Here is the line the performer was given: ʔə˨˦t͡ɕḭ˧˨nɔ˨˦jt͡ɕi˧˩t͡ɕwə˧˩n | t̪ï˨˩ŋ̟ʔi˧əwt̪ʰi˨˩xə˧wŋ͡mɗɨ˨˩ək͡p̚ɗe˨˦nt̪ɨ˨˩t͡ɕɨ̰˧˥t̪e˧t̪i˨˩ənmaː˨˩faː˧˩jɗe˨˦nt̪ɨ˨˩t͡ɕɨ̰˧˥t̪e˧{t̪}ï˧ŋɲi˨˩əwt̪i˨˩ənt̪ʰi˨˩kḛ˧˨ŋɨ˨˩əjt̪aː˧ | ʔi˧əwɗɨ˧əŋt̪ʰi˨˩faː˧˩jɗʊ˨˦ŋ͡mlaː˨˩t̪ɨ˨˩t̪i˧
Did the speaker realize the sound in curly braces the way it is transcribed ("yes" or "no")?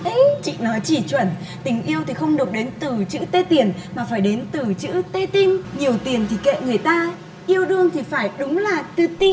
yes